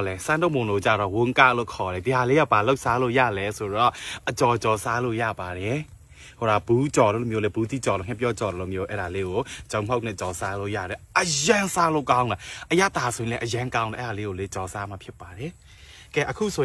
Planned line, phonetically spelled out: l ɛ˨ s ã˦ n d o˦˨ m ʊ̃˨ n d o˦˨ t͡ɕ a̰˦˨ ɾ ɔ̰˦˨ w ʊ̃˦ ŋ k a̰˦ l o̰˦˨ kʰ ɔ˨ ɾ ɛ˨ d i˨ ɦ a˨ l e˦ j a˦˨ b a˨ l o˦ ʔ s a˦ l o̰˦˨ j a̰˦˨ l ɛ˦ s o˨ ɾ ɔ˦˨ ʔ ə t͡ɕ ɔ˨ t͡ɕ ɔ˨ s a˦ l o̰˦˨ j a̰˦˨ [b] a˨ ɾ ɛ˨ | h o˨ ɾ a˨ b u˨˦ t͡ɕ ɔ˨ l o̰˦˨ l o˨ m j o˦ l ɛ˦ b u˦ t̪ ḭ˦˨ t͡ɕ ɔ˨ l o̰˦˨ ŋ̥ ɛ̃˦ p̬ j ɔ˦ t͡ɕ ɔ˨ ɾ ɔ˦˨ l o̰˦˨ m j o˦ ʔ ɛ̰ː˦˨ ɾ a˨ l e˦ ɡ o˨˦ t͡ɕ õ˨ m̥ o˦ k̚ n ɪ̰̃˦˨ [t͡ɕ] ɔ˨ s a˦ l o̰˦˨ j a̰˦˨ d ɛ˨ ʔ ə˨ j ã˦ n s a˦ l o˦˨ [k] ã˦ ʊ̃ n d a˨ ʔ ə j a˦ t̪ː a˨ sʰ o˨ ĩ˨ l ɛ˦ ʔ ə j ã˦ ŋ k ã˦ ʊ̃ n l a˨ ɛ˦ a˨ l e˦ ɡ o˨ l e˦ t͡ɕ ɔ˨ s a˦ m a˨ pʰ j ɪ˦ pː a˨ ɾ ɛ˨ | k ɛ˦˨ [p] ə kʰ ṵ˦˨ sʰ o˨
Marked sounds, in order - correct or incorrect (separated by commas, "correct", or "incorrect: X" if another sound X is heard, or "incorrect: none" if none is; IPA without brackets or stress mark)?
correct, correct, correct, incorrect: ʔ